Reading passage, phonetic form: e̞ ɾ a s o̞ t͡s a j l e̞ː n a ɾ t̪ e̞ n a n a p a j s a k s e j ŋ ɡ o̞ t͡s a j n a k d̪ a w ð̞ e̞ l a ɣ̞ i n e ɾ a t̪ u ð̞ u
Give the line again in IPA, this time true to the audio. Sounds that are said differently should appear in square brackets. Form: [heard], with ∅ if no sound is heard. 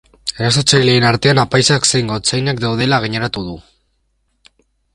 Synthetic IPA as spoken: e̞ ɾ a s o̞ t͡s a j l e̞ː n a ɾ t̪ e̞ [∅] a n a p a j s a k s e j ŋ ɡ o̞ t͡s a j n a k d̪ a w ð̞ e̞ l a ɣ̞ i [ɲ] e ɾ a t̪ u ð̞ u